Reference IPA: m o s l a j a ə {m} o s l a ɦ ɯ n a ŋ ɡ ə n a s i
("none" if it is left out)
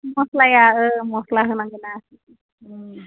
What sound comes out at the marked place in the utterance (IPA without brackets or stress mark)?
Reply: m